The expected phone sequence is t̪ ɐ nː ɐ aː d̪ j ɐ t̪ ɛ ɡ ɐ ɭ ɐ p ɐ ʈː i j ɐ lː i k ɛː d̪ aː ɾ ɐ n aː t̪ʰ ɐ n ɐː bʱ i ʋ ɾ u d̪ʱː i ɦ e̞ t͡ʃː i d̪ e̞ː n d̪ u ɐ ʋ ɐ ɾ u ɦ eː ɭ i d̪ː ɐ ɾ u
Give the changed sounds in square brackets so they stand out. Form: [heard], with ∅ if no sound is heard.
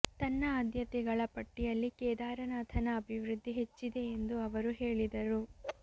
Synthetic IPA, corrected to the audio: t̪ ɐ nː ɐ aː d̪ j ɐ t̪ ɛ ɡ ɐ ɭ ɐ p ɐ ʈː i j ɐ lː i k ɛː d̪ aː ɾ ɐ n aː t̪ʰ ɐ n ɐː bʱ i ʋ ɾ u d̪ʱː i ɦ e̞ t͡ʃː i d̪ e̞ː n d̪ u ɐ ʋ ɐ ɾ u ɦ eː ɭ i [d̪] ɐ ɾ u